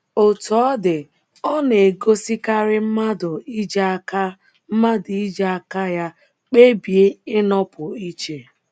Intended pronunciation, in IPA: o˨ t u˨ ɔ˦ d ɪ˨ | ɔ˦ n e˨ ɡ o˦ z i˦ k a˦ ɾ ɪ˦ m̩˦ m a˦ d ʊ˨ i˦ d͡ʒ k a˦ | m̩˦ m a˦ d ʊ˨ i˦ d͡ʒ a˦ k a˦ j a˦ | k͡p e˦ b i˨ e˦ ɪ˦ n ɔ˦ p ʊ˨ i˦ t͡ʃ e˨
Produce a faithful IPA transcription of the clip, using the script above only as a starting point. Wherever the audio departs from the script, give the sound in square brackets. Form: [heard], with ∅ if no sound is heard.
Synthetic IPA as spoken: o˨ t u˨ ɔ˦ d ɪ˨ | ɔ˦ n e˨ ɡ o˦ [s] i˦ k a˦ ɾ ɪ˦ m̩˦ m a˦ d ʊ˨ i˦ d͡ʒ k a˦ | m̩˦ m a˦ d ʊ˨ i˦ d͡ʒ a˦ k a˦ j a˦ | k͡p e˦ b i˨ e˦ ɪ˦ n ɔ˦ p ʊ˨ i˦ t͡ʃ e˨